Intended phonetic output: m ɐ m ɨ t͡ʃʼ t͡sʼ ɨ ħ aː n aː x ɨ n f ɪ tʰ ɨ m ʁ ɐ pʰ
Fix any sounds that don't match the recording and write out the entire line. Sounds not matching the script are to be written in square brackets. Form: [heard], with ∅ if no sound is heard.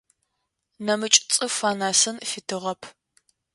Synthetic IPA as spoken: [n] ɐ m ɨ t͡ʃʼ t͡sʼ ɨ [f] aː n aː [s] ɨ n f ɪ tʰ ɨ [∅] ʁ ɐ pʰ